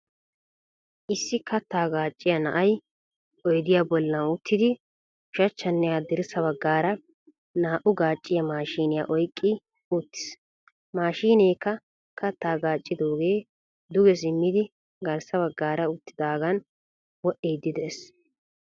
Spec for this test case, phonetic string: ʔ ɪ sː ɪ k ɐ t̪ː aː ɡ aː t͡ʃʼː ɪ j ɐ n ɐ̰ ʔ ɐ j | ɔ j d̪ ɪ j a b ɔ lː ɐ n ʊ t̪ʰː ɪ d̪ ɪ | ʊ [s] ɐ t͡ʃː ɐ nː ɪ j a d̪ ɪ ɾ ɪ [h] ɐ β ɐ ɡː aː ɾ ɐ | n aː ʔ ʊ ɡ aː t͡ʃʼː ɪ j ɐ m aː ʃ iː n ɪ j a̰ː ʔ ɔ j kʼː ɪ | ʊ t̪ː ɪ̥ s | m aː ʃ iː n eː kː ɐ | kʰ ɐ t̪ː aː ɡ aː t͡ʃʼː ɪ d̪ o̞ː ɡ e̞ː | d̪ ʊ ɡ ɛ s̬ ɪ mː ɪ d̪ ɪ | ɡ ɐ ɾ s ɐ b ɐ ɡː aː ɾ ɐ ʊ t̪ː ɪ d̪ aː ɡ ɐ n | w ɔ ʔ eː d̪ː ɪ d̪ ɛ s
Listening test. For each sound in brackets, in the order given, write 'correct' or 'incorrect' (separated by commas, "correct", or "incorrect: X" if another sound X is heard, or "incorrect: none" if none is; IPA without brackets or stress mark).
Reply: incorrect: ʃ, incorrect: s